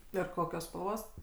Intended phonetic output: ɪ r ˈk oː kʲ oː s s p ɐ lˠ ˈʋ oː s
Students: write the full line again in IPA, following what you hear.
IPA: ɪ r ˈk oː kʲ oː s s p ɐ lˠ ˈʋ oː s